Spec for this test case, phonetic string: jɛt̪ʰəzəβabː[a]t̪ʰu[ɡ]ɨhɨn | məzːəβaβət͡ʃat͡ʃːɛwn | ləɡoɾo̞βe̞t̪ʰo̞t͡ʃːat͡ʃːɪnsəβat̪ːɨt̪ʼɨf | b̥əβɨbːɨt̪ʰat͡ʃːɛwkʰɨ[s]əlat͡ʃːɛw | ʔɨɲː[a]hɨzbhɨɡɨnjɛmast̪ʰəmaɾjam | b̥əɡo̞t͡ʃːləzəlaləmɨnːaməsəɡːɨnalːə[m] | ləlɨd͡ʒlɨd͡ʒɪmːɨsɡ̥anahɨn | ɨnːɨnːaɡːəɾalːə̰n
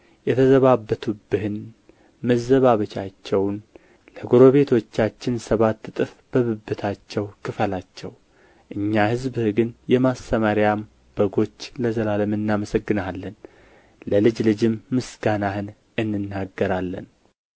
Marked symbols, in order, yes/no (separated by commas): no, no, no, yes, no